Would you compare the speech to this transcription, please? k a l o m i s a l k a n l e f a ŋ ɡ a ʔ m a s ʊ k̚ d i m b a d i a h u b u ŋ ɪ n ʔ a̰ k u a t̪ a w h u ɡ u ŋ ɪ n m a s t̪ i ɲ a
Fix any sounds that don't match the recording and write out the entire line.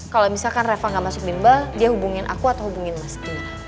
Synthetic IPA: k a l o m i s a l k a n r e f a ŋ ɡ a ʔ m a s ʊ k̚ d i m b a d i a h u b u ŋ ɪ n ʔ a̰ k u a t̪ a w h u b u ŋ ɪ n m a s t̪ i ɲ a